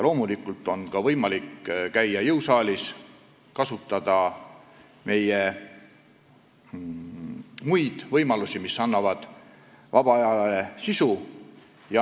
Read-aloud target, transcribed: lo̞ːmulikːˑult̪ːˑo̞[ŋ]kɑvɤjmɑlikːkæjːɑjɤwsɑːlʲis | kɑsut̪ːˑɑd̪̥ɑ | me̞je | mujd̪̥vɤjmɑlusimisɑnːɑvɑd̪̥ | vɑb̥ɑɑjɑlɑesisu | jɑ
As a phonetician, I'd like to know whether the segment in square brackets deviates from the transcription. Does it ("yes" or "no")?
yes